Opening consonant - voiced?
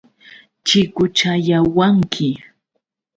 no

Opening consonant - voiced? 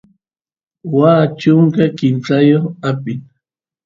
yes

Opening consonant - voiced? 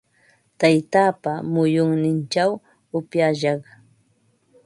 no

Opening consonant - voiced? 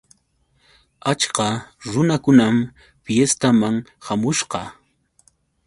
no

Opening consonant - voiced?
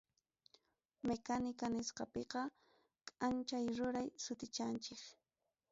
yes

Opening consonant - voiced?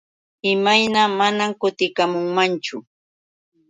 yes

